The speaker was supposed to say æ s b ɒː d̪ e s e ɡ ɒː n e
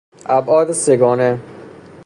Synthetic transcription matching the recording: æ b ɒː d̪ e s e ɡ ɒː n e

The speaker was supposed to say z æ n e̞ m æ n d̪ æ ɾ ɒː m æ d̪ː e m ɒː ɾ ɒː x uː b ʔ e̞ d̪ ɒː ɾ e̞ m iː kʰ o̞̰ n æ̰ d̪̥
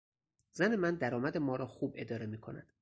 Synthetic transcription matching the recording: z æ n e̞ m æ n d̪ æ ɾ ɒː m æ d̪ e m ɒː ɾ ɒː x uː b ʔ e̞ d̪ ɒː ɾ e̞ m iː kʰ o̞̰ n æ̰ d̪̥

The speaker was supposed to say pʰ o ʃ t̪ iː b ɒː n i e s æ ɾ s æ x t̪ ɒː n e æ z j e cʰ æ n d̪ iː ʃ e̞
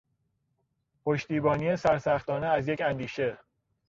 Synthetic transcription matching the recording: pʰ o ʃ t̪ iː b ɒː n i e s æ ɾ s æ x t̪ ɒː n e æ z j e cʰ æ n d̪ iː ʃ e̞

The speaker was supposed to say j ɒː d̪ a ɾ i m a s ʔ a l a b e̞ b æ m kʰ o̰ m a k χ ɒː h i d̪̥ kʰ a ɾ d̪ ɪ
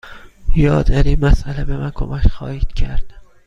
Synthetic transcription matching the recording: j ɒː d̪ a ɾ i m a s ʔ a l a b e̞ m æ n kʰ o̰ m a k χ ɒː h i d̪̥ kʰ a ɾ d̪ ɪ

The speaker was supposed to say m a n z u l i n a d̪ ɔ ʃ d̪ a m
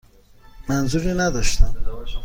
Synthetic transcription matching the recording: m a n z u ɾ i n a d̪ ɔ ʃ t̪ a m

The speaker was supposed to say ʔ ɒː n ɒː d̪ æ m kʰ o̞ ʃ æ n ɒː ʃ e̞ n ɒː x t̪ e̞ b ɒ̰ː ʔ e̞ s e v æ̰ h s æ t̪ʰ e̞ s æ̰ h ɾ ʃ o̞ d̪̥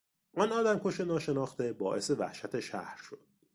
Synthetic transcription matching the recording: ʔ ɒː n ɒː d̪ æ m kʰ o̞ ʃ e n ɒː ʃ e̞ n ɒː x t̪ e̞ b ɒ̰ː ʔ e̞ s e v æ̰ h ʃ æ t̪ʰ e̞ ʃ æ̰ h ɾ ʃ o̞ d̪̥

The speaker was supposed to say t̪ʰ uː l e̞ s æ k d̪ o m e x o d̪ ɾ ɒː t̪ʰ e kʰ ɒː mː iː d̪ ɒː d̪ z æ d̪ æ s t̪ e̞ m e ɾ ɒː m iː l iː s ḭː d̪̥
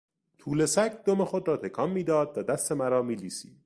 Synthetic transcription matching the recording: t̪ʰ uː l e̞ s æ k d̪ o m e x o d̪ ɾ ɒː t̪ʰ e kʰ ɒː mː iː d̪ ɒː d̪ v æ d̪ æ s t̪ e̞ m æ ɾ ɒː m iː l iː s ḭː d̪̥

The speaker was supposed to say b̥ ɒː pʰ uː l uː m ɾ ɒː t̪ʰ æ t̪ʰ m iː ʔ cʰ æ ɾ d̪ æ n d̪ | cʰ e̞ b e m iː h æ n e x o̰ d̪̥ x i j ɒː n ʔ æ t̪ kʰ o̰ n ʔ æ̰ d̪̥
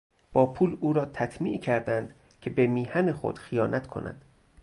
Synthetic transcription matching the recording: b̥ ɒː pʰ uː l uː ɾ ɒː t̪ʰ æ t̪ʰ m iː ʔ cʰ æ ɾ d̪ æ n d̪ | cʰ e̞ b e m iː h æ n e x o̰ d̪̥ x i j ɒː n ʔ æ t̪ kʰ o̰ n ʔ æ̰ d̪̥

